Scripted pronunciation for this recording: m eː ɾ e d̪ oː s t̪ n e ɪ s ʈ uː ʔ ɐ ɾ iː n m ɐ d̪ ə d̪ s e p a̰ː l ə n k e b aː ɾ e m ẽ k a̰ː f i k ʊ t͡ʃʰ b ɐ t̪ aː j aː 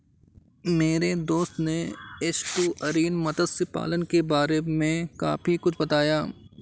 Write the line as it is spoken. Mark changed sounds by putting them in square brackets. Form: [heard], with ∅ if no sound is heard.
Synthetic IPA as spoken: m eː ɾ e d̪ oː s t̪ n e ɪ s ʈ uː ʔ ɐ ɾ iː n m ɐ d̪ ə d̪ s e p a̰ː l ə n k e b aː ɾ e m ẽ k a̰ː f i k ʊ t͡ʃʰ b ɐ t̪ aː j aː